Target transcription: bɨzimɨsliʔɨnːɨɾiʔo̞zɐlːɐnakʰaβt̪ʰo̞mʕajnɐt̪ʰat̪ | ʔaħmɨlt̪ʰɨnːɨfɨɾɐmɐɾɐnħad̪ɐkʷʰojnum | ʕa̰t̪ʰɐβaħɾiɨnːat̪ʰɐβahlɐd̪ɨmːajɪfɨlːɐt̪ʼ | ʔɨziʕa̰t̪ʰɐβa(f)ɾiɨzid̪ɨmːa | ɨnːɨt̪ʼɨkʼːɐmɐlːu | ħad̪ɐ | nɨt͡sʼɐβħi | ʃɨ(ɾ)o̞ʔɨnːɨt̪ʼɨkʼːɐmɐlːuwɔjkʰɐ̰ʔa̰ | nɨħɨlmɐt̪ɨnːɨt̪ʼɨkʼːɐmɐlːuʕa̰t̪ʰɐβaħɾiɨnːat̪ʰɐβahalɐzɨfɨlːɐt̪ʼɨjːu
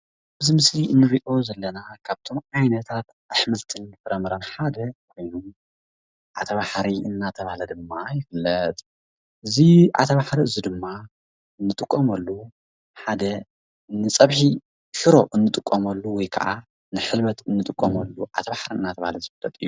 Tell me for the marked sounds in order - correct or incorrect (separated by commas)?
incorrect, correct